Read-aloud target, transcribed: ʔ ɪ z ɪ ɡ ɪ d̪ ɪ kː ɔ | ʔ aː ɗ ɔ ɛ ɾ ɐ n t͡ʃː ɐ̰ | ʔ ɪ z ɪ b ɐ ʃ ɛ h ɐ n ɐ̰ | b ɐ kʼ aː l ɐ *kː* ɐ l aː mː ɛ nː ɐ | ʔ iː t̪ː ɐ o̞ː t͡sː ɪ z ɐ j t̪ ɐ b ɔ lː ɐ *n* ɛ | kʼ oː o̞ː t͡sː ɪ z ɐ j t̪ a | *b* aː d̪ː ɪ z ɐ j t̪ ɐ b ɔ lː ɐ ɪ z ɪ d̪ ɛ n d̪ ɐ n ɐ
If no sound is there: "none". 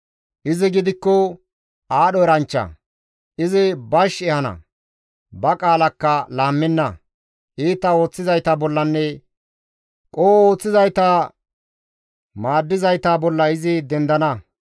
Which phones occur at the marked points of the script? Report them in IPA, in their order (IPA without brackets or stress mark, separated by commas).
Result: kː, nː, m